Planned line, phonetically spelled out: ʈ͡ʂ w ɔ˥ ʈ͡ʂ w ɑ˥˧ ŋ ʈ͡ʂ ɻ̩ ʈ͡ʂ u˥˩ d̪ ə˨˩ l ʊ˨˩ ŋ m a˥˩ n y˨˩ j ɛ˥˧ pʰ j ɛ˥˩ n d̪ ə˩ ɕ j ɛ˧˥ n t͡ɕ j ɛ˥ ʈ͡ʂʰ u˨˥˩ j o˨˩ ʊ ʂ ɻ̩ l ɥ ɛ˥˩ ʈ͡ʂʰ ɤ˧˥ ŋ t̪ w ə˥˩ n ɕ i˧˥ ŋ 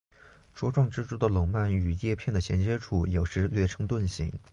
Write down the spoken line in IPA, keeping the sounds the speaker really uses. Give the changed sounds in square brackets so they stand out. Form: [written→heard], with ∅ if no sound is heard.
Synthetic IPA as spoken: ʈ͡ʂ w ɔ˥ ʈ͡ʂ w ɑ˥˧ ŋ ʈ͡ʂ ɻ̩ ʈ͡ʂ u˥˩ d̪ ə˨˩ l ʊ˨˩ ŋ m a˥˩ n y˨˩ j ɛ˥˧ pʰ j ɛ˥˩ n d̪ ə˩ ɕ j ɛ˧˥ n t͡ɕ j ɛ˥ ʈ͡ʂʰ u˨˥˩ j o˨˩ ʊ ʂ ɻ̩ l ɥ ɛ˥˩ ʈ͡ʂʰ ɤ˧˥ ŋ t̪ w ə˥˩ n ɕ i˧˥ ŋ